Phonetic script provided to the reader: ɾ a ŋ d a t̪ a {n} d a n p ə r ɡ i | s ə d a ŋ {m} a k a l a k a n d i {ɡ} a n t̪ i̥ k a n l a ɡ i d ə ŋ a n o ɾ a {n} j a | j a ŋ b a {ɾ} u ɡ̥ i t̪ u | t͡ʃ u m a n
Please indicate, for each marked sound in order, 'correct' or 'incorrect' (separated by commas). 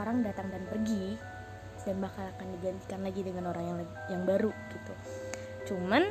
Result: incorrect, incorrect, correct, incorrect, correct